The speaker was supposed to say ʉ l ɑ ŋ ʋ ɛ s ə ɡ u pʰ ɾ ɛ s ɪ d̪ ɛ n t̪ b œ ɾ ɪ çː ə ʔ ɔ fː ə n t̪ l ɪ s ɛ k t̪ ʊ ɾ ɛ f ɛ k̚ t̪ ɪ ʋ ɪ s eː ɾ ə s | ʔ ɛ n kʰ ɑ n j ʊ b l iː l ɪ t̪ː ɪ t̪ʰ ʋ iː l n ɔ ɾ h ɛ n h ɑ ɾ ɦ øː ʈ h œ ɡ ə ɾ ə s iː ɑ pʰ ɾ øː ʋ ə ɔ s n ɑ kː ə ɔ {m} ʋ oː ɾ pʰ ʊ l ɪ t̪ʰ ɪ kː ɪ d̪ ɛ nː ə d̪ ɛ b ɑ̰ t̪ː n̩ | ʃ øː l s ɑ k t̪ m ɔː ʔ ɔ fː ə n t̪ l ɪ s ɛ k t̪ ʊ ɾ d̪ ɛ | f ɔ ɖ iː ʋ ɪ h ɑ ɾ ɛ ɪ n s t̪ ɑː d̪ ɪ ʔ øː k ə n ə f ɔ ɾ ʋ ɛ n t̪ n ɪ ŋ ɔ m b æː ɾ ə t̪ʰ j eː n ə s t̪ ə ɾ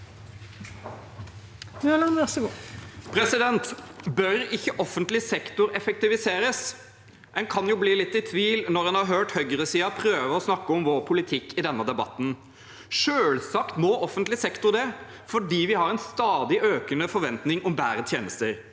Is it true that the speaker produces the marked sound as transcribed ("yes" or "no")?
yes